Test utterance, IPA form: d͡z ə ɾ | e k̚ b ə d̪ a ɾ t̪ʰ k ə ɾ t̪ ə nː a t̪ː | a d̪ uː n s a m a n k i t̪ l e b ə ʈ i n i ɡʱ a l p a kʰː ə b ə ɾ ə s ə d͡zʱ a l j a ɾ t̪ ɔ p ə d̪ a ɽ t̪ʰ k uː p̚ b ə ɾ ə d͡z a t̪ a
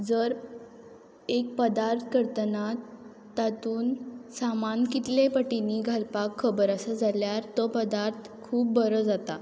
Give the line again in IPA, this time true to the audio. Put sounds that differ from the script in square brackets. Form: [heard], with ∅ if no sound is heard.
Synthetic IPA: d͡z ə ɾ | e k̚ [p] ə d̪ a ɾ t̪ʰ k ə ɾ t̪ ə [n] a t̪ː | a [t̪] uː n s a m a n k i t̪ l e [p] ə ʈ i n i ɡʱ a l p a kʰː ə b ə ɾ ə s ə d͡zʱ a l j a ɾ t̪ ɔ p ə d̪ a [ɾ] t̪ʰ [kʰ] uː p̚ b ə ɾ ə d͡z a t̪ a